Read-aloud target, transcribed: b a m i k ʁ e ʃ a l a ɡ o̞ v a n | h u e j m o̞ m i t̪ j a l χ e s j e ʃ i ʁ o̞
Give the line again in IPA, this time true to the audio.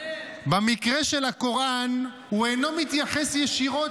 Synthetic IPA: b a m i k ʁ e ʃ e l a k o̞ ʁ a n | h u e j n o̞ m i t̪ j a χ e s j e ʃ i ʁ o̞